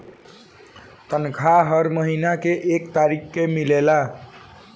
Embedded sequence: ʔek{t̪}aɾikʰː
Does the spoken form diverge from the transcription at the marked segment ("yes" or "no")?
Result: no